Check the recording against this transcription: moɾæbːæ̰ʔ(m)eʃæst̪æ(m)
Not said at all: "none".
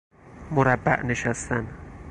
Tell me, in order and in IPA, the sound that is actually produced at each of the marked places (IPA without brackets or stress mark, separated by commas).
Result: n, n